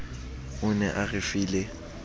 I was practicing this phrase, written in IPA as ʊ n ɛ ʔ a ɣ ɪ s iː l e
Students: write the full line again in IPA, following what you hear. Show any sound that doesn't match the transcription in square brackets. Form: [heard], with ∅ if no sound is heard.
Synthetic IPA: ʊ n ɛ ʔ a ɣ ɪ [f] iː l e